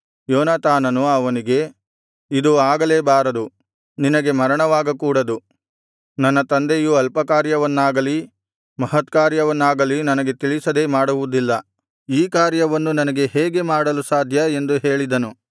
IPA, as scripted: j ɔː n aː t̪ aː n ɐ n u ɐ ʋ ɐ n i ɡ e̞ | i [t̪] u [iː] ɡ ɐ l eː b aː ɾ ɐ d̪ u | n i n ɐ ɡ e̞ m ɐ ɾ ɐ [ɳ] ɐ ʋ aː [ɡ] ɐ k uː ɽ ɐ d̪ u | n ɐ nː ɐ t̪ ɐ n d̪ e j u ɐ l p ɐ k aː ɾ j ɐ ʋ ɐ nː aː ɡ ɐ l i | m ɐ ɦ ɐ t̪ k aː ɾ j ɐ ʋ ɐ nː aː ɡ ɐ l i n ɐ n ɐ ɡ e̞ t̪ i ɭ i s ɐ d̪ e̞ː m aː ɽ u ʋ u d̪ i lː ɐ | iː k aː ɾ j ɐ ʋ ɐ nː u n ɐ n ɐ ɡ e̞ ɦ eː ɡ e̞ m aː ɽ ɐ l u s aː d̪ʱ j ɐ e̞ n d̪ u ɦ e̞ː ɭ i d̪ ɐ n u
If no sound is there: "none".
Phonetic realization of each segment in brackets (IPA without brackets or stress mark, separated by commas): d̪, aː, ɳ, ɡ